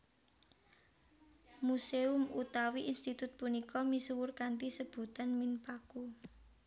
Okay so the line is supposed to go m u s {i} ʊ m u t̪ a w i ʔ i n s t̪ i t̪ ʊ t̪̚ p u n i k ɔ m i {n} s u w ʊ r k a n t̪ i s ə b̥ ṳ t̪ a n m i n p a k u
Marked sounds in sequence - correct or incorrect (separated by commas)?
incorrect, incorrect